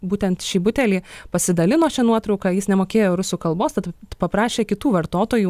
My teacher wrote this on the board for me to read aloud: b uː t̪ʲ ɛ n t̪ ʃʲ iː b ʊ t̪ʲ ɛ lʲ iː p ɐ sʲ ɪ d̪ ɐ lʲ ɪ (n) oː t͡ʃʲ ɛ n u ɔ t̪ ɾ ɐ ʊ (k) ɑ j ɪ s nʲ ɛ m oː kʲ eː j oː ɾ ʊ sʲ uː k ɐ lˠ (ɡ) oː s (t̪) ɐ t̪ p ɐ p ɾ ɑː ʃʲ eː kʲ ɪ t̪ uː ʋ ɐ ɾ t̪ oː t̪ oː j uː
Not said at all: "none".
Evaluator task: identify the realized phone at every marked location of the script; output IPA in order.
n, k, b, t̪

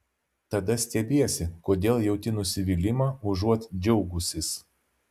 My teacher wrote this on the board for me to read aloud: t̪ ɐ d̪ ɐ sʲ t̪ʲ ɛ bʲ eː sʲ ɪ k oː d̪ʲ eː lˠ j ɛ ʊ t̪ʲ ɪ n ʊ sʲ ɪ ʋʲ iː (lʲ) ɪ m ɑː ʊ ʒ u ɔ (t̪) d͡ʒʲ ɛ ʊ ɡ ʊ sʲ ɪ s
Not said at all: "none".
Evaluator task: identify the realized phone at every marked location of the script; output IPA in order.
lʲ, t̪

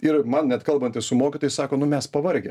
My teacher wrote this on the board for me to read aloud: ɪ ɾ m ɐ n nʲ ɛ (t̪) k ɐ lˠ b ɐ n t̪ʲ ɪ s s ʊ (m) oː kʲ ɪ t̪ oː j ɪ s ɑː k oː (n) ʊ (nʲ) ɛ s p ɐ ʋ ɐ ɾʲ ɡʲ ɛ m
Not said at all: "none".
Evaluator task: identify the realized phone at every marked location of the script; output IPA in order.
t̪, m, n, mʲ

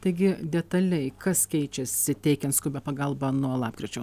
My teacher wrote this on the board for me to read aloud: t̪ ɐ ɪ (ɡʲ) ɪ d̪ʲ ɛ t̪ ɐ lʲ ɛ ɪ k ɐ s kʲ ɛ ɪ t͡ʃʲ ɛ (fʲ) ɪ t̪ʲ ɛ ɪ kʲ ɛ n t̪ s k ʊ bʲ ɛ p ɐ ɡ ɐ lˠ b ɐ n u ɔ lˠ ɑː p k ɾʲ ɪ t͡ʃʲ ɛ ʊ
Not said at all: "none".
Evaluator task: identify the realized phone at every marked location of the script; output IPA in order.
ɡʲ, sʲ

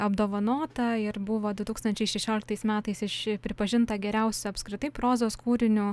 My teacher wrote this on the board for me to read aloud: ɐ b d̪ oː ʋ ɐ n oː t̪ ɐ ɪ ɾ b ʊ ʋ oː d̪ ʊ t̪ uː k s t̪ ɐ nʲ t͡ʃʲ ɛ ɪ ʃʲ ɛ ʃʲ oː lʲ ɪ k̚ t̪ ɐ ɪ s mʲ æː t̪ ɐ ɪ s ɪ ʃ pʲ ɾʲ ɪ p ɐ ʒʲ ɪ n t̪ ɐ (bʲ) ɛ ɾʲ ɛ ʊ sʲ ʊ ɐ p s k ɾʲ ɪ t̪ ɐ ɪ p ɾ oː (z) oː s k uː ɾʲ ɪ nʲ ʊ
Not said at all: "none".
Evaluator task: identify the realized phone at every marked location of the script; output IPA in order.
ɡʲ, z

